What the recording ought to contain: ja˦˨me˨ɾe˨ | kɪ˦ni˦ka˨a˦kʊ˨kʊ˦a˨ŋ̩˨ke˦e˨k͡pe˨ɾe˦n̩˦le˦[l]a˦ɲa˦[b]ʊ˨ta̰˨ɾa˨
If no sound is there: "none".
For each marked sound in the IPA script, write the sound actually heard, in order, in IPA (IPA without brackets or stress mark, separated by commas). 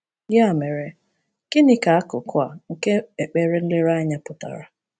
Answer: ɾ, p